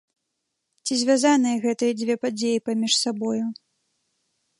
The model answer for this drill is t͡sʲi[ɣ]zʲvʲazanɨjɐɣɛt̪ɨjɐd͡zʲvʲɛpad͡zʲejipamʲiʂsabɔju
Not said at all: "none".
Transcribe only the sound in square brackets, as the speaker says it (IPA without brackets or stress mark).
none